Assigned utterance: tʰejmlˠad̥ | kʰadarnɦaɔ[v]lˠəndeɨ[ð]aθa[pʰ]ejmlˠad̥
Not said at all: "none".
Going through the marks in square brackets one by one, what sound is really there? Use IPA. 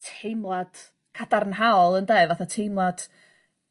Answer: none, v, tʰ

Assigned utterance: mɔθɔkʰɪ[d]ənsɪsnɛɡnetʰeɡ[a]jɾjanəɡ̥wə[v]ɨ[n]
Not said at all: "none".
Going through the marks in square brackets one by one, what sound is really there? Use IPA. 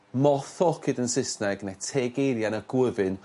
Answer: d, e, v, n

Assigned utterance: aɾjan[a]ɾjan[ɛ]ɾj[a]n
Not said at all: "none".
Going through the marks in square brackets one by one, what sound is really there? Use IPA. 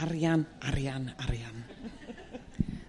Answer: a, a, a

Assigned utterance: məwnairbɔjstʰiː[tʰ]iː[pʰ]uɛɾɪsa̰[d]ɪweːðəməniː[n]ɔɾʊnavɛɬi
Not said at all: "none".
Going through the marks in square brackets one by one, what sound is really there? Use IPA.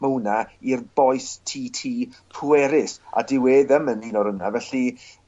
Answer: tʰ, pʰ, d, n

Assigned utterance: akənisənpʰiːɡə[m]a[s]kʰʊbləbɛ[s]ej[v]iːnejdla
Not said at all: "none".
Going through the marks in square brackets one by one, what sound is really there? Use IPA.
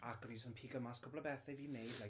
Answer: m, s, θ, v

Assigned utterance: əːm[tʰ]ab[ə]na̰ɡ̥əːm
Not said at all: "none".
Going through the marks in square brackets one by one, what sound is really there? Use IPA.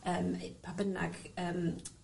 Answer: pʰ, ə

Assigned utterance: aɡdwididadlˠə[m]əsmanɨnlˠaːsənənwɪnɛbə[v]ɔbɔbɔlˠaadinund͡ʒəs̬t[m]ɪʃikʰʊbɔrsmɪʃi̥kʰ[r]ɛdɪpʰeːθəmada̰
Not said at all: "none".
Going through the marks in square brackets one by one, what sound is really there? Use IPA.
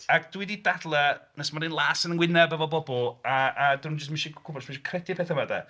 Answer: n, v, m, r

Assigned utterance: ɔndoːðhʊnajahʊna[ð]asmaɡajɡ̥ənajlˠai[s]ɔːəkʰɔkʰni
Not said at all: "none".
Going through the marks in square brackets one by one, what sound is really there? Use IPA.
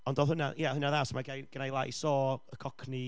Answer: ð, s

